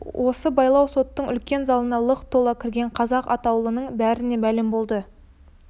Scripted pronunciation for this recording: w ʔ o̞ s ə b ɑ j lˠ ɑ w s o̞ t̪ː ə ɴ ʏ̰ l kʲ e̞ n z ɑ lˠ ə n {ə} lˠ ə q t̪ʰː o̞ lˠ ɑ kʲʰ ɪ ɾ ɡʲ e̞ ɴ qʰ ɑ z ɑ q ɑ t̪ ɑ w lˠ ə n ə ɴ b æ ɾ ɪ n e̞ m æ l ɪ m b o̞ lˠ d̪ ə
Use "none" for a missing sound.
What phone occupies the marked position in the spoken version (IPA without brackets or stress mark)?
ɑ